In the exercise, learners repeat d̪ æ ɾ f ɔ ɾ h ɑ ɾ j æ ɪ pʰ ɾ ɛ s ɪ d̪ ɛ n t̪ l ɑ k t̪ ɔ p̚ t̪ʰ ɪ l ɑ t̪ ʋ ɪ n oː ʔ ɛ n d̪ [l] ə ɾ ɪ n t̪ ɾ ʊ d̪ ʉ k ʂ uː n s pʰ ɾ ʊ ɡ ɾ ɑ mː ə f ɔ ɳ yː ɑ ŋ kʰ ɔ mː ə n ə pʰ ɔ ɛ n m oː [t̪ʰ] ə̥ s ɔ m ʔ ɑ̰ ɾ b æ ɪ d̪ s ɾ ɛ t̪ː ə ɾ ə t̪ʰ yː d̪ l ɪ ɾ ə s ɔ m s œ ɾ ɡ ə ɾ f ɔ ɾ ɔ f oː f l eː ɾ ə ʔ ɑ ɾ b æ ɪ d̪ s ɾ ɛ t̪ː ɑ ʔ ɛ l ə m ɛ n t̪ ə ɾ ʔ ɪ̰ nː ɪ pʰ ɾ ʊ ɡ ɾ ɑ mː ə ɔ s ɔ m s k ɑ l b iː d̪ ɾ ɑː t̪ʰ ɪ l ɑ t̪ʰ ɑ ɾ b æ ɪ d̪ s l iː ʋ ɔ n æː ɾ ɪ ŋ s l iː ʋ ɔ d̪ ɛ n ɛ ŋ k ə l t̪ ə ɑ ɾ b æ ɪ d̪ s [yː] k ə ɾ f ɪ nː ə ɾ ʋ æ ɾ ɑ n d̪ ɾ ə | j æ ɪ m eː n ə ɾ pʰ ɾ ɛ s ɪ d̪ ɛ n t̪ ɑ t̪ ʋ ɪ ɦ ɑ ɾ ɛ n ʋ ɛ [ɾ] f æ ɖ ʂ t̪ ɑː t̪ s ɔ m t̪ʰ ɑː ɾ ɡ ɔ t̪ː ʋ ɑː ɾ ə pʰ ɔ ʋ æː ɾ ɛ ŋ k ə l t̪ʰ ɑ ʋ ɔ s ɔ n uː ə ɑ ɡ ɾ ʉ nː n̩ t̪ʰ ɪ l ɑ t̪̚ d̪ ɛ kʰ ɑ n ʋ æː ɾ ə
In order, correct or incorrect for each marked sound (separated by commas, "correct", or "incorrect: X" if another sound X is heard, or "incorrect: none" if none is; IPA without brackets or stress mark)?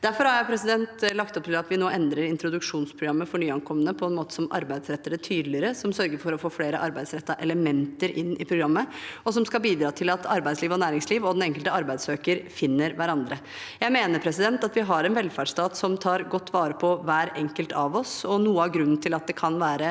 incorrect: ɾ, incorrect: t̪, incorrect: øː, incorrect: l